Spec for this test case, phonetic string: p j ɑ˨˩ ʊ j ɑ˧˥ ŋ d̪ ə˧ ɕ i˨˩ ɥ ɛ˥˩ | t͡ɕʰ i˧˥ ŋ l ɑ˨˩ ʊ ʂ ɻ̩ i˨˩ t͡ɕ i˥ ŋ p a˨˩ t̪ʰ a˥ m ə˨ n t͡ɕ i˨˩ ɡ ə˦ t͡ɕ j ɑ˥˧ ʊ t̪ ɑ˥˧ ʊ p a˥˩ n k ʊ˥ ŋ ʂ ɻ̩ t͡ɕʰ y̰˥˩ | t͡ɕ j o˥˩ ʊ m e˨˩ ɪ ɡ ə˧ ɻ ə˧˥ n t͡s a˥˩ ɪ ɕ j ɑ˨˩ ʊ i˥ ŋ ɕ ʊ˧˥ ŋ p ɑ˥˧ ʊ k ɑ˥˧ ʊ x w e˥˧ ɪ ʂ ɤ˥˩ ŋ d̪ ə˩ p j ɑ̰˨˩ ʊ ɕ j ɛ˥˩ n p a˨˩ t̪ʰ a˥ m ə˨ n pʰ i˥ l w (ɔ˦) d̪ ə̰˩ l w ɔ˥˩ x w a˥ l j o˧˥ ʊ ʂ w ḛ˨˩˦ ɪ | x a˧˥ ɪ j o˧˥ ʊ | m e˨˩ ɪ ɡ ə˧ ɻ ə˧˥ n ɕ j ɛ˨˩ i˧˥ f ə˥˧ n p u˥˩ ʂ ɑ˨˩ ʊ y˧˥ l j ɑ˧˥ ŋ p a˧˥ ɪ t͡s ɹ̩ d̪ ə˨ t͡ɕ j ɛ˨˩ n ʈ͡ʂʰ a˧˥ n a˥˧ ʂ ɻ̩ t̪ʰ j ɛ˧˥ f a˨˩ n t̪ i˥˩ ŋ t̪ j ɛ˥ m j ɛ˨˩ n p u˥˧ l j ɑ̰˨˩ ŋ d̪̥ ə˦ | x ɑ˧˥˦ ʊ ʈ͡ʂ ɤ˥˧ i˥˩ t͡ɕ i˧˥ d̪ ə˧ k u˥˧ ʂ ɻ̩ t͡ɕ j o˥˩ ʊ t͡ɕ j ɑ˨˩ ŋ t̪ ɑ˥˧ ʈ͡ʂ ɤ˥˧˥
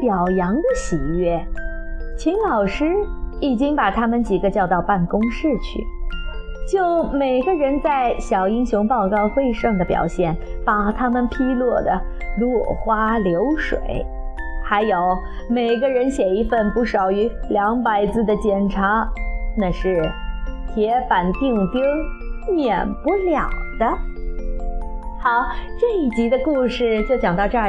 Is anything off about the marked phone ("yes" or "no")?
yes